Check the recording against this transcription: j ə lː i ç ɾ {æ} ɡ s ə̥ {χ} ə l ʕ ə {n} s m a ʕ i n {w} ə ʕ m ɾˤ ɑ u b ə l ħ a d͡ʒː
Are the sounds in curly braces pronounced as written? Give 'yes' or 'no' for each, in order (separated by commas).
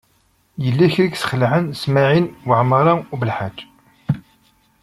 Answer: no, yes, yes, yes